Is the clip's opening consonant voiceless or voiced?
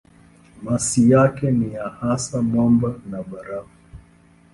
voiced